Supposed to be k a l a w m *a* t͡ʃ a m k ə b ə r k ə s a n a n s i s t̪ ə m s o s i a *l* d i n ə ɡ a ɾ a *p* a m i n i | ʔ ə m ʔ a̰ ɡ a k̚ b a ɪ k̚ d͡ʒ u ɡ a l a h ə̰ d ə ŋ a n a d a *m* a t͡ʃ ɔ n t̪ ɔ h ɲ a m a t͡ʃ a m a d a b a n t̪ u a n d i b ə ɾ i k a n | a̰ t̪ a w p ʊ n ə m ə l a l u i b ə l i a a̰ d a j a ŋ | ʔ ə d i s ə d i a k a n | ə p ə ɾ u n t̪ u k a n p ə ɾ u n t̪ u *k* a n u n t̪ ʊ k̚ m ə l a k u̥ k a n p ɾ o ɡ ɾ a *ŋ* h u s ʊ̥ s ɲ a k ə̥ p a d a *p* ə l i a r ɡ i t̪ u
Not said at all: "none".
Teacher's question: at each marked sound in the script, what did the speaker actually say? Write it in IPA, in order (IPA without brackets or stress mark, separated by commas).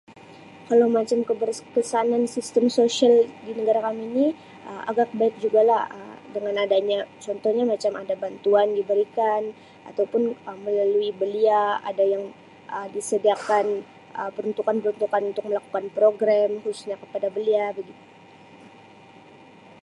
a, l, k, ɲ, k, m, b